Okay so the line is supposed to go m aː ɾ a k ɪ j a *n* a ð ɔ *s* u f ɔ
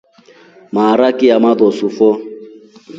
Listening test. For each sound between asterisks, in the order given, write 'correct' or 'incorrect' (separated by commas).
incorrect, correct